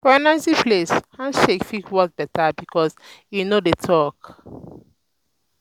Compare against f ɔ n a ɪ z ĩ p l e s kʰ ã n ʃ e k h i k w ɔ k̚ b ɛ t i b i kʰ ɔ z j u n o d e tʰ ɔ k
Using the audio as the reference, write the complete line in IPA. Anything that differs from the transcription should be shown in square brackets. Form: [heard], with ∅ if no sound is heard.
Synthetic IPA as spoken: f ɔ n a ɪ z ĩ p l e s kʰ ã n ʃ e k [f] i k w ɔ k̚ b ɛ t [a] b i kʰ ɔ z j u n o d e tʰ ɔ k